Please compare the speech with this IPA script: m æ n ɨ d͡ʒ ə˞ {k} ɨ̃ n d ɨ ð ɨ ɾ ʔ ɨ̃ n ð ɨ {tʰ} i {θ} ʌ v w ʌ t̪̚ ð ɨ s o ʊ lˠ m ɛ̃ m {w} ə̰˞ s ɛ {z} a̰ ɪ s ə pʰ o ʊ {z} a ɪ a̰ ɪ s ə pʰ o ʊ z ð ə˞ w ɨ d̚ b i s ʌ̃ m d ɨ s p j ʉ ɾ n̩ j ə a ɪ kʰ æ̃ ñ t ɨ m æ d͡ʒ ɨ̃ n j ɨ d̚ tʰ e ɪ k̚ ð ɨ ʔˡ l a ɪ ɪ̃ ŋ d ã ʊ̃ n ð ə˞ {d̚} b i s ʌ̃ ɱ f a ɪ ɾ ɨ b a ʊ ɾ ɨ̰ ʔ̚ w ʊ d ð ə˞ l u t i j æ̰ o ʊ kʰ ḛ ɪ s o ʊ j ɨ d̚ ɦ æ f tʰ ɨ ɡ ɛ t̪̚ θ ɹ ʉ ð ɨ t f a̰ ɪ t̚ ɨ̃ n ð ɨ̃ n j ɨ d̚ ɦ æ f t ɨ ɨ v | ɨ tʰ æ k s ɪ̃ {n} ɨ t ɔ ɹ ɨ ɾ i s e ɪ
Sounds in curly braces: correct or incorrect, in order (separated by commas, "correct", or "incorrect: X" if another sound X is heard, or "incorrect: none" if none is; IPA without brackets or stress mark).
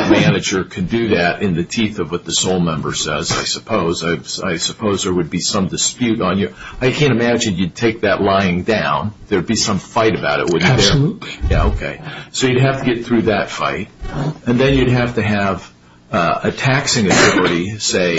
incorrect: kʰ, correct, correct, incorrect: b, correct, correct, correct, incorrect: ŋ